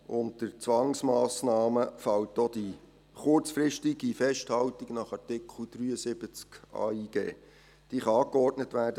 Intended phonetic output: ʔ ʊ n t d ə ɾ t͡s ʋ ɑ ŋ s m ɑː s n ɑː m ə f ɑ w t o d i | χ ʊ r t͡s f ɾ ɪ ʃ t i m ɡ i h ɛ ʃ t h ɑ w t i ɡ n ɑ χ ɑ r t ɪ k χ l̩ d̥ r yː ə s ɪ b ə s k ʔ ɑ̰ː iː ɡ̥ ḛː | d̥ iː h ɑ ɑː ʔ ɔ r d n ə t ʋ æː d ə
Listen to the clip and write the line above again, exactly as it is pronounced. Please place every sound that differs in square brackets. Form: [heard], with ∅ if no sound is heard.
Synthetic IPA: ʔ ʊ n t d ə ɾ t͡s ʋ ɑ ŋ s m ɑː s n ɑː m ə f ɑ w t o d i | χ ʊ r t͡s f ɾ ɪ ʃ t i [∅] ɡ i [f] ɛ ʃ t h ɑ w t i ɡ n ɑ χ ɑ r t ɪ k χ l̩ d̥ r yː ə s ɪ b ə [t͡s] k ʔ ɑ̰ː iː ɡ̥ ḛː | d̥ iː [χ] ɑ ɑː [k] ɔ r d n ə t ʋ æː d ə